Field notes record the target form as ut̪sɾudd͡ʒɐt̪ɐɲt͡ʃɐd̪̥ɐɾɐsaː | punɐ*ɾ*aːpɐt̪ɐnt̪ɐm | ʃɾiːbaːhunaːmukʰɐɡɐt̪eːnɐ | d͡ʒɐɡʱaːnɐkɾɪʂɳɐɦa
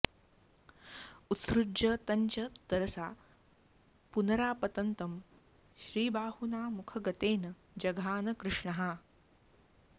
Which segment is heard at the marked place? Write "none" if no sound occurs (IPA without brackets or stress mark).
ɾ